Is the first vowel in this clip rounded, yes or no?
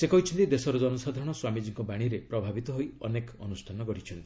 no